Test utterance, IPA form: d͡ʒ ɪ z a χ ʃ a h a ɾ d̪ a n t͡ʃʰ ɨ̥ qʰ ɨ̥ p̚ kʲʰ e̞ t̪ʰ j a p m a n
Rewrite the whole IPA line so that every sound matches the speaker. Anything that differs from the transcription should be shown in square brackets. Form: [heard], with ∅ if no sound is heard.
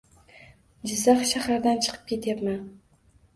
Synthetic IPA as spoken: d͡ʒ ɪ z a χ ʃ a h a ɾ d̪ a n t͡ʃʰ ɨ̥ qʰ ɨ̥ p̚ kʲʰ e̞ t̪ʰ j a p m a n